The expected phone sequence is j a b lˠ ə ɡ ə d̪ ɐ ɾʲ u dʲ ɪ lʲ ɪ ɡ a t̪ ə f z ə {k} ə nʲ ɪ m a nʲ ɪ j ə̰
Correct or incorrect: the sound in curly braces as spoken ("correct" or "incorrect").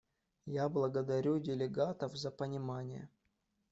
incorrect